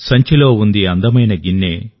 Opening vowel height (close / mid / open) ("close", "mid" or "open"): open